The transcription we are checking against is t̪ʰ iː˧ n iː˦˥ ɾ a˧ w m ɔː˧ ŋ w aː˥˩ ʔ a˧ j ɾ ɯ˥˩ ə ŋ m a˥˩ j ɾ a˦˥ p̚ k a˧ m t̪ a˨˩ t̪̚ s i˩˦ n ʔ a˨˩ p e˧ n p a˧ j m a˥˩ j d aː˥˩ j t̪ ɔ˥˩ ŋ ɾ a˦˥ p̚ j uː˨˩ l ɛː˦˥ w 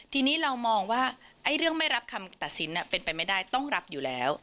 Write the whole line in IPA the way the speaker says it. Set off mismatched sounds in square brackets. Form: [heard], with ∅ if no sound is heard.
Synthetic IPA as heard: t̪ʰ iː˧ n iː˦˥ ɾ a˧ w m ɔː˧ ŋ w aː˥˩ ʔ [a˥˩] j ɾ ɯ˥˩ ə ŋ m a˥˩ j ɾ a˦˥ p̚ [kʰ] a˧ m t̪ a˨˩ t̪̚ s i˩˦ n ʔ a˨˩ p e˧ n p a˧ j m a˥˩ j d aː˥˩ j t̪ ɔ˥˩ ŋ ɾ a˦˥ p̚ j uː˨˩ l ɛː˦˥ w